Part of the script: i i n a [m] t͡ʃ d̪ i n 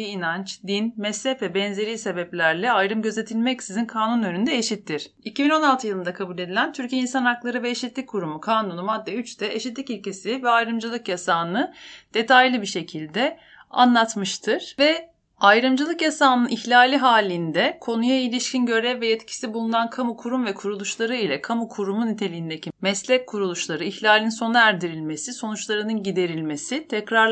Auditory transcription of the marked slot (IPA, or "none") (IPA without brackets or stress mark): n